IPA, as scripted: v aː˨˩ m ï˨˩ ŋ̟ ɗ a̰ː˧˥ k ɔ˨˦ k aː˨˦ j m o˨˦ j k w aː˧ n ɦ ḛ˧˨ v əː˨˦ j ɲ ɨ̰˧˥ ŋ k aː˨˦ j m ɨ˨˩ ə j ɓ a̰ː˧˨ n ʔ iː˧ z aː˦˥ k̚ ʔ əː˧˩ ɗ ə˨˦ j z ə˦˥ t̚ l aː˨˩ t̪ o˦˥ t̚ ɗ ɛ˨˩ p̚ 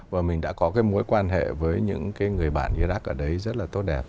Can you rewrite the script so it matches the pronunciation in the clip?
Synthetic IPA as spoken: v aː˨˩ m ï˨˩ ŋ̟ ɗ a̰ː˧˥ k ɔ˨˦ k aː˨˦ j m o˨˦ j k w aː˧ n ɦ ḛ˧˨ v əː˨˦ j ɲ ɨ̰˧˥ ŋ k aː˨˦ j ŋ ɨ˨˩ ə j ɓ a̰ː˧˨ n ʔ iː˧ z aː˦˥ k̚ ʔ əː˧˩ ɗ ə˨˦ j z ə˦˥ t̚ l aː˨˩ t̪ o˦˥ t̚ ɗ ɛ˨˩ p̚